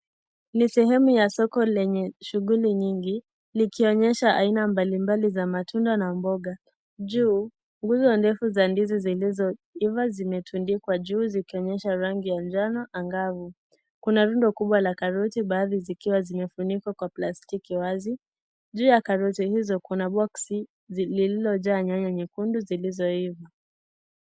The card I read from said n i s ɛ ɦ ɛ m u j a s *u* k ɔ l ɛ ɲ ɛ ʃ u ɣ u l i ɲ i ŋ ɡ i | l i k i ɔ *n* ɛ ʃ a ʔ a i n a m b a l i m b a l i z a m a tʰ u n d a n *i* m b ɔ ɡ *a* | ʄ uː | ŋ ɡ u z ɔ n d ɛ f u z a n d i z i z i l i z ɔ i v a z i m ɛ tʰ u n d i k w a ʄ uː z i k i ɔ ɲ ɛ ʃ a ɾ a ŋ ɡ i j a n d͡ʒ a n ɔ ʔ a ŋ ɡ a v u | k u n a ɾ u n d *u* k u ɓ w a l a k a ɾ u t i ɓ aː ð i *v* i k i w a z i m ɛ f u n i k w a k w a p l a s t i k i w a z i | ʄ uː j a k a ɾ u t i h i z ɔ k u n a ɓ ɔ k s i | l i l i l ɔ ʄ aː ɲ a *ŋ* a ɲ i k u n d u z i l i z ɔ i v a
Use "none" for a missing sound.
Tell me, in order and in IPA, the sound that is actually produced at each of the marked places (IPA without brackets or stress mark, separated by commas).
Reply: ɔ, ɲ, a, a, ɔ, z, ɲ